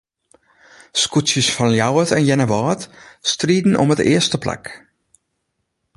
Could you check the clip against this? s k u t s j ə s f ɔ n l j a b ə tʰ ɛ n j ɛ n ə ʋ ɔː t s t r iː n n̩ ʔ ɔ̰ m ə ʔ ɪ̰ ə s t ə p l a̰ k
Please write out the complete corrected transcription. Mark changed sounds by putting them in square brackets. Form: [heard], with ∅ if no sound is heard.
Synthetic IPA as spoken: s k u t s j ə s f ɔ n l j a [w] ə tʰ ɛ n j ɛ n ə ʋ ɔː t s t r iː [d] n̩ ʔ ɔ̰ m ə [t] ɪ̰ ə s t ə p l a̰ k